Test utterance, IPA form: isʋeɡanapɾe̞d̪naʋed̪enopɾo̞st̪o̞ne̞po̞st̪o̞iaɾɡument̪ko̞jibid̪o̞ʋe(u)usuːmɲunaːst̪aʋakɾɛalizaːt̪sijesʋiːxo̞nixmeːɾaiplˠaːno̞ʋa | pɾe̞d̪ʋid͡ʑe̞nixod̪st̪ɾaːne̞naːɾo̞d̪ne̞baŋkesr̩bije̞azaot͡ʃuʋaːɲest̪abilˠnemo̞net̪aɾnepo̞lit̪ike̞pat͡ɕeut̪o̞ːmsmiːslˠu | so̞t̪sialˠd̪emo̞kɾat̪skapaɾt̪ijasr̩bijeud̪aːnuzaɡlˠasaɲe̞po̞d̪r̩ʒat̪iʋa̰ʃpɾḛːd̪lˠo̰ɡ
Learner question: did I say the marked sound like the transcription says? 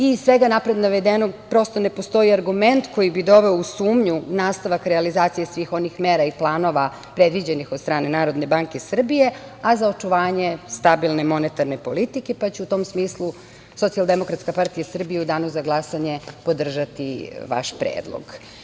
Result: no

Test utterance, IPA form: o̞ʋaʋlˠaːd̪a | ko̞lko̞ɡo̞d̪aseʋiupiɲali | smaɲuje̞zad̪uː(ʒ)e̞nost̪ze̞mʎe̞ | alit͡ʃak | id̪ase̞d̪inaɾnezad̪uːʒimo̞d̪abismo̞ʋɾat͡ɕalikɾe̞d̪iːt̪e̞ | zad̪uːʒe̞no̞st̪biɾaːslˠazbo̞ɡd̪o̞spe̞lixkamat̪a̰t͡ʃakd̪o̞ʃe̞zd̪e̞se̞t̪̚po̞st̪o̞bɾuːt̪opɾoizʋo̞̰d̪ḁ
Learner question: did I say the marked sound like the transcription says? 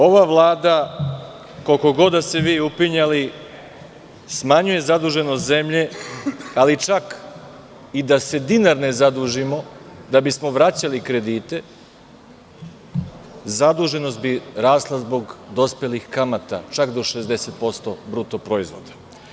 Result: yes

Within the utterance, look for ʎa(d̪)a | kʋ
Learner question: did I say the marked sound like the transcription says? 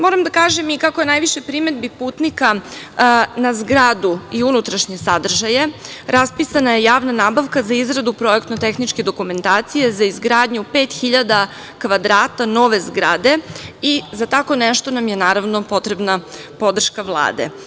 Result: yes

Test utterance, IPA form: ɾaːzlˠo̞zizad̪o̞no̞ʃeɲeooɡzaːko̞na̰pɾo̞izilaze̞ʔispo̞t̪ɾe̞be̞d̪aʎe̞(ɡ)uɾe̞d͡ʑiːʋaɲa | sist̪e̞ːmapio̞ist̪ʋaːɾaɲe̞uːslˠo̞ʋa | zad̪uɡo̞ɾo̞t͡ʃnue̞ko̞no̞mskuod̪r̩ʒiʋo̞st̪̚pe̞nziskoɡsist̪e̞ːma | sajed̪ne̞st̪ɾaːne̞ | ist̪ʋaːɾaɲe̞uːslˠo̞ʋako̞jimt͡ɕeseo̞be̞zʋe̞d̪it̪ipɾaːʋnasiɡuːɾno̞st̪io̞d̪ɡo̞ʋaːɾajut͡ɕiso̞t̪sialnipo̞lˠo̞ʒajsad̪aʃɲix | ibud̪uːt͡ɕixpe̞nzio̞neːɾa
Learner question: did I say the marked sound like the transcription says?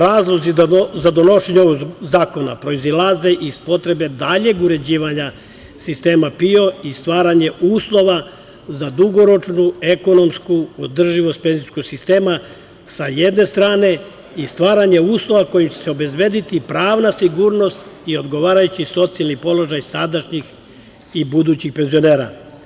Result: yes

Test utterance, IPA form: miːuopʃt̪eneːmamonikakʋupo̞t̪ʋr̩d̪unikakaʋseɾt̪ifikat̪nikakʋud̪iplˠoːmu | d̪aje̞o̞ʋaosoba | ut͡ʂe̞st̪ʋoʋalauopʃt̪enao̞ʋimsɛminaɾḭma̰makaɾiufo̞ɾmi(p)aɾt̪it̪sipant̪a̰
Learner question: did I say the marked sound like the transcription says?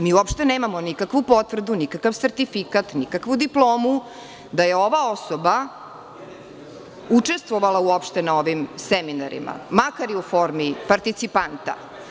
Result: yes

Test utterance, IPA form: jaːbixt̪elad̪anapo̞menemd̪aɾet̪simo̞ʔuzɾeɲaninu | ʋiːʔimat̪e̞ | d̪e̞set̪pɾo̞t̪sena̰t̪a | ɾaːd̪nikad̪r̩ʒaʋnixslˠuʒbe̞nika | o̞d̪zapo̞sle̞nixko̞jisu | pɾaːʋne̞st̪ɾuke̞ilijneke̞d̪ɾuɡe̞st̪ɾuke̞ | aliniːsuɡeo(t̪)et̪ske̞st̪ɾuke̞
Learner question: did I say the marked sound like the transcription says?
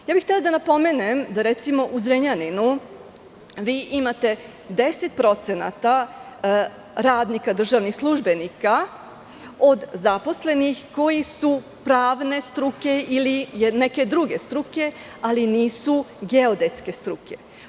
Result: no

